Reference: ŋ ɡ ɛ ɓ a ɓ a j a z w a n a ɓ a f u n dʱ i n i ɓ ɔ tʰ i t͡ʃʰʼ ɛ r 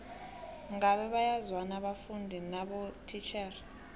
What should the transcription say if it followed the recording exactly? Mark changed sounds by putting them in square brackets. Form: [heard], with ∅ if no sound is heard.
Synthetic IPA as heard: ŋ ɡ [a] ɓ [ɛ] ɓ a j a z w a n a ɓ a f u n dʱ i n [a] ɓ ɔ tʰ i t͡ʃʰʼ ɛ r